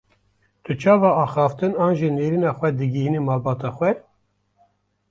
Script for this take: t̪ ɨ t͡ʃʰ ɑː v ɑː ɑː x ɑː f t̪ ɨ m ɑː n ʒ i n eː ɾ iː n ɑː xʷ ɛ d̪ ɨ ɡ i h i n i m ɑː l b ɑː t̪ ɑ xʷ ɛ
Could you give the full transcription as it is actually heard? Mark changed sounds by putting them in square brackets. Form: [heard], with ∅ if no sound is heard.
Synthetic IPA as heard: t̪ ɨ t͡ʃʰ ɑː v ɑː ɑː x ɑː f t̪ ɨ [n] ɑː n ʒ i n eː ɾ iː n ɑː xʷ ɛ d̪ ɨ ɡ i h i n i m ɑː l b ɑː t̪ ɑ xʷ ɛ